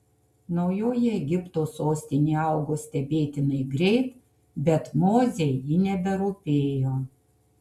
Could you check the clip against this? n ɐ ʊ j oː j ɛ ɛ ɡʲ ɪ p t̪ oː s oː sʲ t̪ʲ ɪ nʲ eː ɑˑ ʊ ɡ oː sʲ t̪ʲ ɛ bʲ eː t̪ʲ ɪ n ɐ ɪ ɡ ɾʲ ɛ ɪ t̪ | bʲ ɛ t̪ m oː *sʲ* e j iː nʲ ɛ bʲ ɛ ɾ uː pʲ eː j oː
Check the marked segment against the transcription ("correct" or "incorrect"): incorrect